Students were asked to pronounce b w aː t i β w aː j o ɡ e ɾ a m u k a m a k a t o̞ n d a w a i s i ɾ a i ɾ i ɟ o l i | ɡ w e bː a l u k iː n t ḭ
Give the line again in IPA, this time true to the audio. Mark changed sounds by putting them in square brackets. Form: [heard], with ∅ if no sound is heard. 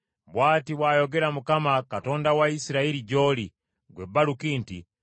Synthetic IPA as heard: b w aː t i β w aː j o ɡ e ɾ a m u k a m a k a t o̞ n d a w a i s i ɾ a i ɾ i ɟ o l i | ɡ w e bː a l u k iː n t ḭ